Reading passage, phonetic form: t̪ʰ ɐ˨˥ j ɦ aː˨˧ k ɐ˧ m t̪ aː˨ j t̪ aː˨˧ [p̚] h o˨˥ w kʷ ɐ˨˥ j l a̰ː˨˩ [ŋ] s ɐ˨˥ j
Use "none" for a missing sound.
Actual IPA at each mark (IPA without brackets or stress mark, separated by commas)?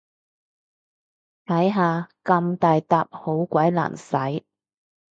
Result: p̚, n